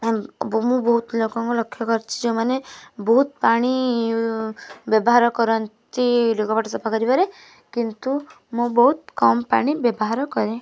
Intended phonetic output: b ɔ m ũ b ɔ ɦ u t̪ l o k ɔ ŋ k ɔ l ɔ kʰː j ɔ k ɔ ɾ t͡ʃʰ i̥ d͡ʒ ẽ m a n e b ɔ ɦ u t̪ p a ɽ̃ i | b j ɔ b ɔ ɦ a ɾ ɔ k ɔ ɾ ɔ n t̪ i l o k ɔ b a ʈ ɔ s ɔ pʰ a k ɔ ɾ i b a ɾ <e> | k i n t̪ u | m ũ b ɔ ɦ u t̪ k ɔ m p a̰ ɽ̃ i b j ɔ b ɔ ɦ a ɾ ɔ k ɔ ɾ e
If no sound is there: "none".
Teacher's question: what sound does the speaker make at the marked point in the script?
e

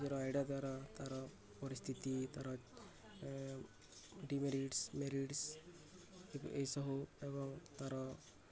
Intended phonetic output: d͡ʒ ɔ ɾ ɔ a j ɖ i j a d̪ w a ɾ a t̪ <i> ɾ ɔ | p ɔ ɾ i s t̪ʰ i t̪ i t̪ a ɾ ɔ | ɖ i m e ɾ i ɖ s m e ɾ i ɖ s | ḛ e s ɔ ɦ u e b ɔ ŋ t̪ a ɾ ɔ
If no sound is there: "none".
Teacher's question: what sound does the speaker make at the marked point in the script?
a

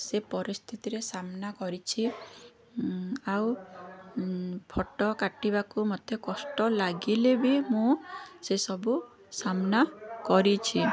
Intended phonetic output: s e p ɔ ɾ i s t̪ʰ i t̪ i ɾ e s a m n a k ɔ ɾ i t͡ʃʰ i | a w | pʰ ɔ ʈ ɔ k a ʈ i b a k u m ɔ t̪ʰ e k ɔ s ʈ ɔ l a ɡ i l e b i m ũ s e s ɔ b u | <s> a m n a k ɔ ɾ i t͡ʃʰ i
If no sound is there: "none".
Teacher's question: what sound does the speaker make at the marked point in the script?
s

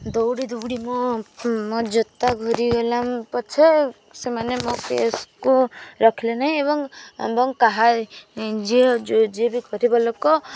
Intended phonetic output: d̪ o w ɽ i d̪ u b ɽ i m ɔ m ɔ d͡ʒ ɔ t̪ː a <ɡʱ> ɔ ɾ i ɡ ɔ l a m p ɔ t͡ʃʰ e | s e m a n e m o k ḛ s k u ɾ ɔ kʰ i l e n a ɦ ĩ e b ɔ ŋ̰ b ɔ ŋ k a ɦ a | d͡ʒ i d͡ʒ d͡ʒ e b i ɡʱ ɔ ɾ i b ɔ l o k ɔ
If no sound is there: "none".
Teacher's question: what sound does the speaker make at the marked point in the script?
ɡʱ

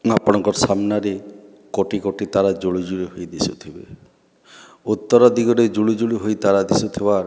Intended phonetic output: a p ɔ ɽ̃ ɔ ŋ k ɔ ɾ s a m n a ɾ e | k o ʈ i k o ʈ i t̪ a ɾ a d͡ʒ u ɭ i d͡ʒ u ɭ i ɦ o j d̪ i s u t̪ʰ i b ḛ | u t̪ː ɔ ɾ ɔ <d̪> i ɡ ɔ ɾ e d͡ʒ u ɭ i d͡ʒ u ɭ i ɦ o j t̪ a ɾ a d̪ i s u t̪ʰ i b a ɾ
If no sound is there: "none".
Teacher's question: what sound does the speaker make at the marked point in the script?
d̪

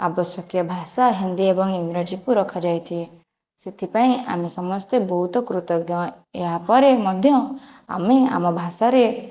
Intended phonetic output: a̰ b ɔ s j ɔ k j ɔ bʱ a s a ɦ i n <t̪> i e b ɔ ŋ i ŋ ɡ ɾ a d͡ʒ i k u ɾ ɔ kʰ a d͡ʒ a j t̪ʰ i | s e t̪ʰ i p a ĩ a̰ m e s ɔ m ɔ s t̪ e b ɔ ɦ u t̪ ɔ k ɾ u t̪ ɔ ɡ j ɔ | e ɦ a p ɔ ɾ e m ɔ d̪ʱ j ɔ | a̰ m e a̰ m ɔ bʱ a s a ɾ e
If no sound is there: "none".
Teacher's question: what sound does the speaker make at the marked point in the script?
d̪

